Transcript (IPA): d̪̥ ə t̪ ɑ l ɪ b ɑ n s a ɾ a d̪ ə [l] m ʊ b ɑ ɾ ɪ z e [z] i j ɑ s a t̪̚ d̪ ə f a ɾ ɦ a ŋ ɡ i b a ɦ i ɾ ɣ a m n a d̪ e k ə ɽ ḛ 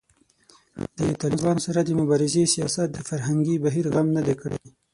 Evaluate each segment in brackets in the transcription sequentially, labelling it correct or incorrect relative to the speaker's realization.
incorrect, incorrect

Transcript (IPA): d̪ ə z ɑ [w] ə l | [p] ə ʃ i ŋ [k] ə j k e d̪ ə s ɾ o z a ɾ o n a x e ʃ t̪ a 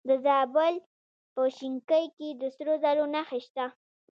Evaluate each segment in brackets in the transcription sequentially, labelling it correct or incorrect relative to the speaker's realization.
incorrect, correct, correct

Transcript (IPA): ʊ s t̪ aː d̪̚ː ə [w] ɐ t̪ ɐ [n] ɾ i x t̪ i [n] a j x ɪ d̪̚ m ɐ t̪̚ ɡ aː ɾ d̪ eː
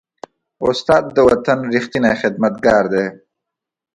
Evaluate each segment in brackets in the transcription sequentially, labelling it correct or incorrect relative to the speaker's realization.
correct, correct, correct

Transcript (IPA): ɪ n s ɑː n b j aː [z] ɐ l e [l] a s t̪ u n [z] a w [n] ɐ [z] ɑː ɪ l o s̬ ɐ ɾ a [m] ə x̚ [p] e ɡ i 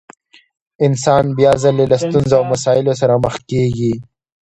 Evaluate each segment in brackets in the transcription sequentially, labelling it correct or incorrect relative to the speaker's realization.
correct, correct, correct, incorrect, incorrect, correct, incorrect

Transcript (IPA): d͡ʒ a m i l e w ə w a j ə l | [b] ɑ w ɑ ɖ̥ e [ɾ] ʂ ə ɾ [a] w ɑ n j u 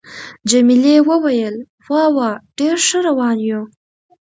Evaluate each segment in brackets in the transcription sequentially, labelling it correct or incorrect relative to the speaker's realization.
incorrect, correct, correct

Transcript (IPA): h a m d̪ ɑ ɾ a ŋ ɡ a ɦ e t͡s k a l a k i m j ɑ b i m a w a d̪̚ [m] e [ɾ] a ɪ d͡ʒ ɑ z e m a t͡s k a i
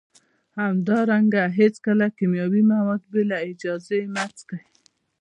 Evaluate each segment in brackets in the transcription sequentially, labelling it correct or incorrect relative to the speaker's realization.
incorrect, incorrect

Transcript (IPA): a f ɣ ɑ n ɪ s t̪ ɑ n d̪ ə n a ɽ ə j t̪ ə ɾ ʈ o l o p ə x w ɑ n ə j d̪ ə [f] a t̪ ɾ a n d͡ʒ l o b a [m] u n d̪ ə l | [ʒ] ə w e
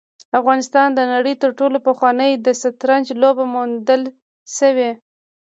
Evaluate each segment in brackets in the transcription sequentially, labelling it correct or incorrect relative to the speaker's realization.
incorrect, correct, incorrect

